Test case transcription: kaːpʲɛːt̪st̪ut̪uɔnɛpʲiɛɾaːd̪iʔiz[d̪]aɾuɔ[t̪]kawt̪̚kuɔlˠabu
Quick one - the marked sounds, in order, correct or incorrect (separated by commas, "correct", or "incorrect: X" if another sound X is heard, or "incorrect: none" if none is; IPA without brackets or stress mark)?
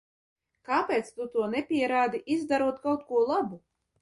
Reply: correct, correct